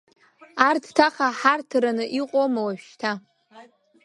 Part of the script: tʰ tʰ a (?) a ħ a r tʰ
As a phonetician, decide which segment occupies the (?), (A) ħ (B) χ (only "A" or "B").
B